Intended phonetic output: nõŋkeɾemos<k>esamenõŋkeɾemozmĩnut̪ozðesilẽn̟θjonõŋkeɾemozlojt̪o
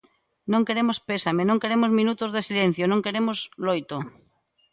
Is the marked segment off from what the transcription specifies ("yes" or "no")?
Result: yes